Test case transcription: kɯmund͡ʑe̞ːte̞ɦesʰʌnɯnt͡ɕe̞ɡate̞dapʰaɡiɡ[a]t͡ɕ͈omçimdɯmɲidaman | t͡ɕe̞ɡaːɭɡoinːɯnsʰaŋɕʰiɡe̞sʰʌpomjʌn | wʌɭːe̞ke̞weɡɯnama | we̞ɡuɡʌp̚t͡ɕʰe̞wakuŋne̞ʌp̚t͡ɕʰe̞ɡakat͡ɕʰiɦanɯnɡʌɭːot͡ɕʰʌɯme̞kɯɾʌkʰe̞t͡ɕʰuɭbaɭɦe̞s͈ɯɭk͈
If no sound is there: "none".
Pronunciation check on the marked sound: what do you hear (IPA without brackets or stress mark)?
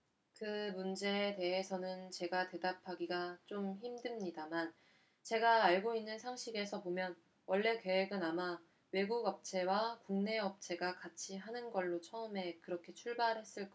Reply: a